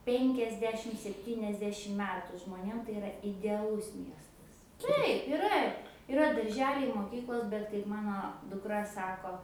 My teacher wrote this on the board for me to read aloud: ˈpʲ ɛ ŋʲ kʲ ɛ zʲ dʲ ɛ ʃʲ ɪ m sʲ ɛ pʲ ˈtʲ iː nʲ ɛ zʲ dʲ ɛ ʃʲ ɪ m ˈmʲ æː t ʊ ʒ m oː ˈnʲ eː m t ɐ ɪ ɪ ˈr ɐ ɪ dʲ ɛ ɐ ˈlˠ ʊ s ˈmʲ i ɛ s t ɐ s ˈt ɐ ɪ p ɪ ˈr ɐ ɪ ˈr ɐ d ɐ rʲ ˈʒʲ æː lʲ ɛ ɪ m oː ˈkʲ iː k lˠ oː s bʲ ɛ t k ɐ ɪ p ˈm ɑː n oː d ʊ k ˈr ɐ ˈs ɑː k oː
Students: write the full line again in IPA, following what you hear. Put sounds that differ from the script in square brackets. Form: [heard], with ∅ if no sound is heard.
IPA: ˈpʲ ɛ ŋʲ kʲ ɛ zʲ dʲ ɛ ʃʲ ɪ m sʲ ɛ pʲ ˈtʲ iː nʲ ɛ zʲ dʲ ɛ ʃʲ ɪ m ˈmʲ æː t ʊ ʒ m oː ˈnʲ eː m t ɐ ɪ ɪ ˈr ɐ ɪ dʲ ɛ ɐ ˈlˠ ʊ s ˈmʲ i ɛ s t ɐ s ˈt ɐ ɪ p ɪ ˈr ɐ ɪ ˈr ɐ d ɐ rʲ ˈʒʲ æː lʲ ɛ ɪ m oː ˈkʲ iː k lˠ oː s bʲ ɛ t k ɐ ɪ p ˈm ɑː n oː d ʊ k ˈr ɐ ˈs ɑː k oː